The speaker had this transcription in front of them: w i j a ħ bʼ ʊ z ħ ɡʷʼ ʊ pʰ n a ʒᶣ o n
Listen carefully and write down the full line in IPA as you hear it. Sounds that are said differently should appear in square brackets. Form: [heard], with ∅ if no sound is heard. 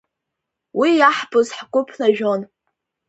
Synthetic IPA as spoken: w i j a ħ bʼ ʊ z ħ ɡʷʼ ʊ pʰ n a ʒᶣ o n